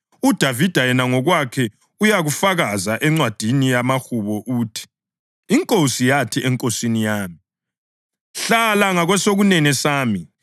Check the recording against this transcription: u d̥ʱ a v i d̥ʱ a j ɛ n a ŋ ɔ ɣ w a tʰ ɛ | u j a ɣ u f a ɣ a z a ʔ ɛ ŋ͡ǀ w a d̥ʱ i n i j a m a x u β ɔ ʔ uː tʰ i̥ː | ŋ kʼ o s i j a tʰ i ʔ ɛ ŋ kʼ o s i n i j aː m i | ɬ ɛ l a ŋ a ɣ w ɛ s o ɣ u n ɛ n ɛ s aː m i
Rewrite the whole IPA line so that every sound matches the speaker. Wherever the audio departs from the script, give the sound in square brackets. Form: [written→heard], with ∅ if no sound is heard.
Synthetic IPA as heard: u d̥ʱ a v i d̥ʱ a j ɛ n a ŋ ɔ ɣ w a [tʰ→kʰ] ɛ | u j a ɣ u f a ɣ a z a ʔ ɛ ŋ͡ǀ w a d̥ʱ i n i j a m a x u β ɔ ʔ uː tʰ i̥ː | ŋ kʼ o s i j a tʰ i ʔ ɛ ŋ kʼ o s i n i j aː m i | ɬ [ɛ→a] l a ŋ a ɣ w ɛ s o ɣ u n ɛ n ɛ s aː m i